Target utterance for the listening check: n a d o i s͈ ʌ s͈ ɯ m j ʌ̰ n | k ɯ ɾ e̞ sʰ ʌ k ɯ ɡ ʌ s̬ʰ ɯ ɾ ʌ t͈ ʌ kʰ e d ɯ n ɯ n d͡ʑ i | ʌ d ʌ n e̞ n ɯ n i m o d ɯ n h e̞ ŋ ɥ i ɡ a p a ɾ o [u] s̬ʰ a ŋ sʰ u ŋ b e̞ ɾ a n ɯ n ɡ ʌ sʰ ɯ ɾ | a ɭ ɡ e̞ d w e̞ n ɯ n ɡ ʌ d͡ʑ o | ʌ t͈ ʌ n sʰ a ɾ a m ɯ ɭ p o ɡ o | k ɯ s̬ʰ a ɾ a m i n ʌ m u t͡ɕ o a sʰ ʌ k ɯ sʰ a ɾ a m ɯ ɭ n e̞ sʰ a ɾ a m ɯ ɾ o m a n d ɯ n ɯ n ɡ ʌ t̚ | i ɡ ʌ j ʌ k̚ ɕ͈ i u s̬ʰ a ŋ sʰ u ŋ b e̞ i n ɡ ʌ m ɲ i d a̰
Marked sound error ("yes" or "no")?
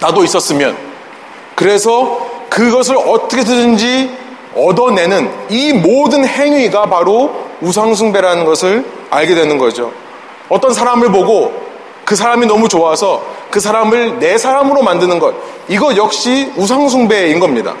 no